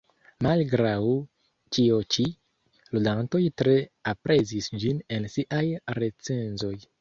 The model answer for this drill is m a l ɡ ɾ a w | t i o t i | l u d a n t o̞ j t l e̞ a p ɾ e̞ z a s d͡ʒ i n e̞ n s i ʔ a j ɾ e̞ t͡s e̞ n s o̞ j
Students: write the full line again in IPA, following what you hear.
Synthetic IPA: m a l ɡ ɾ a w | t͡ʃ i o t͡ʃ i | l u d a n t o̞ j t ɾ e̞ a p ɾ e̞ z i s d͡ʒ i n e̞ n s i ʔ a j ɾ e̞ t͡s e̞ n z o̞ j